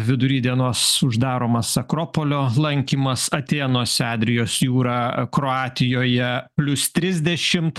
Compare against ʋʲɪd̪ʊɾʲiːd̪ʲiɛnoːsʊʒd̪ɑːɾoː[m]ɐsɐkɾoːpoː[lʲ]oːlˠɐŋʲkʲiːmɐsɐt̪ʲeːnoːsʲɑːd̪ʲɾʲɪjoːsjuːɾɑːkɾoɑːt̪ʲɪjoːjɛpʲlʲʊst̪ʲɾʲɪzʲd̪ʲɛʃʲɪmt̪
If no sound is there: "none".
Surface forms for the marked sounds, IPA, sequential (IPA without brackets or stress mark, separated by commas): m, lʲ